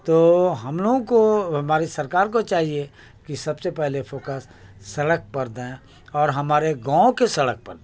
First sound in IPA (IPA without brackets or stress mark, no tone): t̪